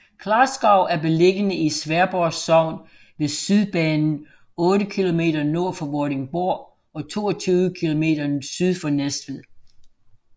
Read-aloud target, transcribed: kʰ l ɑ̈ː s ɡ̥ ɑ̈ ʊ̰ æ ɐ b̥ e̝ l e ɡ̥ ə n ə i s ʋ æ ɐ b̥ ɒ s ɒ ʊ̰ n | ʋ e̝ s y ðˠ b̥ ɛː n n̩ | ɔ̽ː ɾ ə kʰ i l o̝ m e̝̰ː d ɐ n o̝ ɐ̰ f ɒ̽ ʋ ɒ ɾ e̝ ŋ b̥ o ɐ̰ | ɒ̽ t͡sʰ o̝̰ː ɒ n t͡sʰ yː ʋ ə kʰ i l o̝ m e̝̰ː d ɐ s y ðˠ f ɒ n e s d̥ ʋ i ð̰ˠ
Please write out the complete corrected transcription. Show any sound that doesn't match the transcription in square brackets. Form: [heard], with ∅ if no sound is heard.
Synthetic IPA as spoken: kʰ l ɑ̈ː s ɡ̥ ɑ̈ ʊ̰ æ ɐ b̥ e̝ l e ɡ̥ ə n ə i s ʋ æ ɐ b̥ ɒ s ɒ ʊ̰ n | ʋ e̝ s y ðˠ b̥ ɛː n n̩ | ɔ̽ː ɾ ə kʰ i l o̝ m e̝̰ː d ɐ n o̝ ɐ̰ f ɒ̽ ʋ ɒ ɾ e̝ ŋ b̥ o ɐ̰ | ɒ̽ t͡sʰ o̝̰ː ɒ [∅] t͡sʰ yː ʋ ə kʰ i l o̝ m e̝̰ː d ɐ s y ðˠ f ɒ n e s d̥ ʋ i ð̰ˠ